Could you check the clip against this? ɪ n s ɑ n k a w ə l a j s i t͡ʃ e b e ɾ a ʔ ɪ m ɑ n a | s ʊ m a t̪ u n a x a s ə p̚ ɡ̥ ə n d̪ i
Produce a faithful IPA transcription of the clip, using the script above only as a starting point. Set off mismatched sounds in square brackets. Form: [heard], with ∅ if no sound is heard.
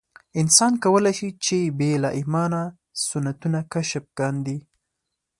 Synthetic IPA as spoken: ɪ n s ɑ n k a w ə l a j [ʃ] i t͡ʃ e b e [l] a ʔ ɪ m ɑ n a | s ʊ [n] a t̪ u n a [k] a [ʃ] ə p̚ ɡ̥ [ɑ] n d̪ i